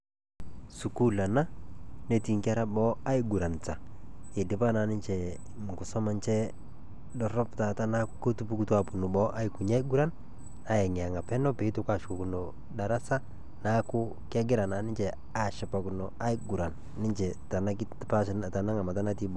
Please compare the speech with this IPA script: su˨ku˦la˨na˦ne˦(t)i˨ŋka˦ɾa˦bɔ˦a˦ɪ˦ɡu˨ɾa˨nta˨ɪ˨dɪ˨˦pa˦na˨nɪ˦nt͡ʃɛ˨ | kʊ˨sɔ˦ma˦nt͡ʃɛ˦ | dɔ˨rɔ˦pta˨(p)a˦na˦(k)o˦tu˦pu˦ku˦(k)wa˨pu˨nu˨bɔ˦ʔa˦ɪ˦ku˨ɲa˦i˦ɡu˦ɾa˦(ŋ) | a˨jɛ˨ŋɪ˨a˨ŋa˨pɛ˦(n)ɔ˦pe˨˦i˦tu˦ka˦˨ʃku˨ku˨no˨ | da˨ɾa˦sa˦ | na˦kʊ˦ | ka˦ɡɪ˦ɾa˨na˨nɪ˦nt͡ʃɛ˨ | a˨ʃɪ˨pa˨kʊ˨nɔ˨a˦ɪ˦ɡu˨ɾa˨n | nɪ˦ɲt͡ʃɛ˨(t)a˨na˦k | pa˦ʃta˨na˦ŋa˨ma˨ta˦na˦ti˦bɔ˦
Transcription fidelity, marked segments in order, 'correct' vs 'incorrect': correct, incorrect, correct, incorrect, incorrect, correct, correct

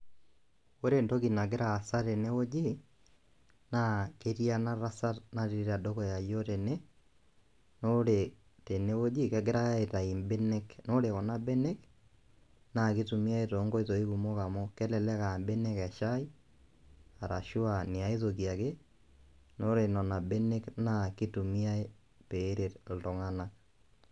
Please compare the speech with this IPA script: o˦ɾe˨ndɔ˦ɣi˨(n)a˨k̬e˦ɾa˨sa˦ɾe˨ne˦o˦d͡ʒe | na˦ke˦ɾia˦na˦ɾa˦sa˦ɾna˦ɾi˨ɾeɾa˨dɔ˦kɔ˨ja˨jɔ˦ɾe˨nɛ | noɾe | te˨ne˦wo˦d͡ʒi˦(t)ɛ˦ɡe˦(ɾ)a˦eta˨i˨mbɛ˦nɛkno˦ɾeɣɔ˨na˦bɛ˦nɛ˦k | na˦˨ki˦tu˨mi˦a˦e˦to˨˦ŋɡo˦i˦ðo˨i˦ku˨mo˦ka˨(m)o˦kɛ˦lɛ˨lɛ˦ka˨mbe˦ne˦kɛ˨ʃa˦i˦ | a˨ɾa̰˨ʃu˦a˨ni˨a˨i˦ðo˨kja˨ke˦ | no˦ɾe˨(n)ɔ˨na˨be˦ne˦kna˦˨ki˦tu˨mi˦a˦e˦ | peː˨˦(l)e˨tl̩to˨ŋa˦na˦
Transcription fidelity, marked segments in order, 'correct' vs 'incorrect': correct, incorrect, correct, correct, correct, incorrect

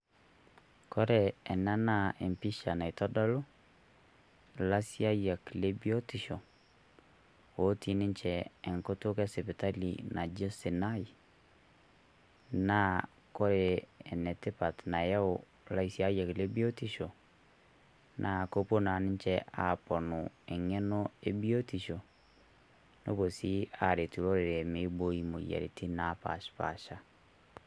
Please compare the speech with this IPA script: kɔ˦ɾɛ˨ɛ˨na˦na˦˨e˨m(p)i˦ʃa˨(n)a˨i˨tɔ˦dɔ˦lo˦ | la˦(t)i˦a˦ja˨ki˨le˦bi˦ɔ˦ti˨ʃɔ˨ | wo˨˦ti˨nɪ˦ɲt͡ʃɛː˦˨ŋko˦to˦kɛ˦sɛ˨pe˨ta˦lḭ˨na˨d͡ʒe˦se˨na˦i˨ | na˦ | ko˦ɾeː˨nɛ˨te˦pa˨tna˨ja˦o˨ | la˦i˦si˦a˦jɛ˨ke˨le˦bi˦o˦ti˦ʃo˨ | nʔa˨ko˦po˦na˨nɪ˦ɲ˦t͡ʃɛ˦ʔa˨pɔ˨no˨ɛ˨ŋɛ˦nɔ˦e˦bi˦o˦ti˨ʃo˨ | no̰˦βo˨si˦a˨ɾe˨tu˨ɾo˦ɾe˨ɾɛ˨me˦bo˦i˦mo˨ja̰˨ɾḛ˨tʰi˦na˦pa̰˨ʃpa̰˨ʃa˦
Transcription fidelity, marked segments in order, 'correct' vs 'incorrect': correct, correct, incorrect

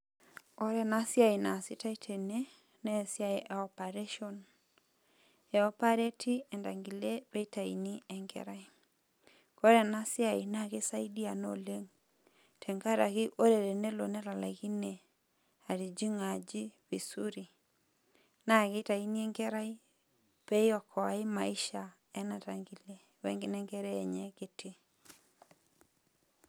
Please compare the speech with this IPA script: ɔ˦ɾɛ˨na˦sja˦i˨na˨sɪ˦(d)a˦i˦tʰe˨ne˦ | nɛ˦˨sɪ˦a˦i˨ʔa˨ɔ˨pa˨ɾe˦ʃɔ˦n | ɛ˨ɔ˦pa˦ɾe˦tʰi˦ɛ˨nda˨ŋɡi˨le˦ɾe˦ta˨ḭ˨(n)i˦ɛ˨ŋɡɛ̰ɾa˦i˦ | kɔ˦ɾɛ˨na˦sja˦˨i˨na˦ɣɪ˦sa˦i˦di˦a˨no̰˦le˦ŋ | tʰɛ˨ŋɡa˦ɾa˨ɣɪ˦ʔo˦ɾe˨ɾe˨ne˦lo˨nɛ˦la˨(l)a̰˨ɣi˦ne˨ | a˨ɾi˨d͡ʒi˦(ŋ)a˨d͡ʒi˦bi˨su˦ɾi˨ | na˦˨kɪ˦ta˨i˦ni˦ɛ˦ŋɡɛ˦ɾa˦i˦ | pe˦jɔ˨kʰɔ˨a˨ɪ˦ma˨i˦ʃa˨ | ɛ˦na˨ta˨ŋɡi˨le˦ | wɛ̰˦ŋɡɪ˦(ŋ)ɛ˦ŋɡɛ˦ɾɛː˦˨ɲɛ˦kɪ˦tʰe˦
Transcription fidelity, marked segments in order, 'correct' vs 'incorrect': incorrect, correct, correct, correct, incorrect

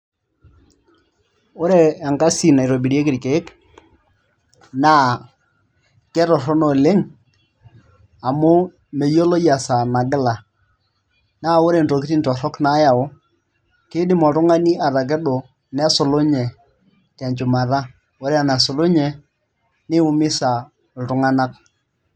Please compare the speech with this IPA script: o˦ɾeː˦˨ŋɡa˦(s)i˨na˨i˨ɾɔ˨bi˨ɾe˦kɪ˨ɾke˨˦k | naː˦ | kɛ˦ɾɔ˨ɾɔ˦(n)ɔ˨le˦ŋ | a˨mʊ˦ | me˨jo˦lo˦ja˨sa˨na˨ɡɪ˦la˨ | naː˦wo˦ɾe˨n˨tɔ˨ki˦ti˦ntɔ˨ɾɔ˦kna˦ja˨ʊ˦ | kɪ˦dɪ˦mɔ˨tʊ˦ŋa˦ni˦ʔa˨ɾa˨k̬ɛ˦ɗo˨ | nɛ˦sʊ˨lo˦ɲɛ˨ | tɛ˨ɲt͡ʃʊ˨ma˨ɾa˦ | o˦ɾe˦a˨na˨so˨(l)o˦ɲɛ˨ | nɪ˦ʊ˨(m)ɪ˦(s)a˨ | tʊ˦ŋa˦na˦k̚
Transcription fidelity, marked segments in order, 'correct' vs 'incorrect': correct, correct, correct, correct, correct

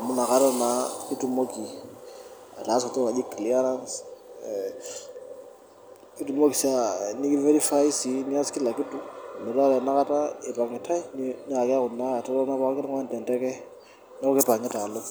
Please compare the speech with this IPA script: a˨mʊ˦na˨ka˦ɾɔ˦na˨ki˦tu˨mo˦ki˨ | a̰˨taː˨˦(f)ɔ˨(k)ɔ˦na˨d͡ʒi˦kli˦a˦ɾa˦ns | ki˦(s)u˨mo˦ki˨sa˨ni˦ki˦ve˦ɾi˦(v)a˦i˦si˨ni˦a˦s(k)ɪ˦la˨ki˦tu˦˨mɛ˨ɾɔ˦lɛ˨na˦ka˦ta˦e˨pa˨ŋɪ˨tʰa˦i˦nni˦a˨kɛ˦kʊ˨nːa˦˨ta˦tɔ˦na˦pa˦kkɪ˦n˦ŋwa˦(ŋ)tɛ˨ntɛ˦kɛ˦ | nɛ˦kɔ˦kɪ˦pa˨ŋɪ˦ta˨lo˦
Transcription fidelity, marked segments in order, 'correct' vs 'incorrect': incorrect, incorrect, incorrect, incorrect, correct, incorrect

